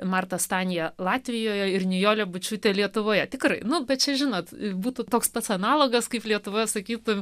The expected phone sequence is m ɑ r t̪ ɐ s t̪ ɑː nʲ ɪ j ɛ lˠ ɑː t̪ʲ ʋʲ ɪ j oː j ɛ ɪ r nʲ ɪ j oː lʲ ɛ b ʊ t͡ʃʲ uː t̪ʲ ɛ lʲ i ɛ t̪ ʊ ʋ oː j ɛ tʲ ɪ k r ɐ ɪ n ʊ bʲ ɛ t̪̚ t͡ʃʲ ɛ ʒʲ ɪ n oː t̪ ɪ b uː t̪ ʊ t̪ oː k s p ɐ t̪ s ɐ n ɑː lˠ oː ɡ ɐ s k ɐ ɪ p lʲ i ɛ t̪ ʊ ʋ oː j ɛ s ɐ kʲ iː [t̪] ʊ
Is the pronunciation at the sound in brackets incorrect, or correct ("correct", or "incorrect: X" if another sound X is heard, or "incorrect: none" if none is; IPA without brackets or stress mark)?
correct